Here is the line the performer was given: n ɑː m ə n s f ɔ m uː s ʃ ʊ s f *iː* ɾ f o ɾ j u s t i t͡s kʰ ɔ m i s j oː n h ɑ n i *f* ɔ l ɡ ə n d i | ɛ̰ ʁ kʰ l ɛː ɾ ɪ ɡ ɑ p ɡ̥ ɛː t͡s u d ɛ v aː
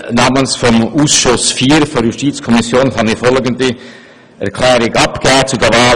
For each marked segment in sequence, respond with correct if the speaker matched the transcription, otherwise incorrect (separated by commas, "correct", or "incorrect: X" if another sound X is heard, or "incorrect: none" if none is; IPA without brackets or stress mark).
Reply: correct, correct